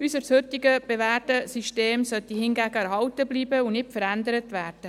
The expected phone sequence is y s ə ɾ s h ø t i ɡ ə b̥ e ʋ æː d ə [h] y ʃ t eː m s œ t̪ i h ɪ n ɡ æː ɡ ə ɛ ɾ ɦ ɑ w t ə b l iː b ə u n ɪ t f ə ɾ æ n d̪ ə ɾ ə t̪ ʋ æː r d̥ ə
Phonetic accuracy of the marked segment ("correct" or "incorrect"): incorrect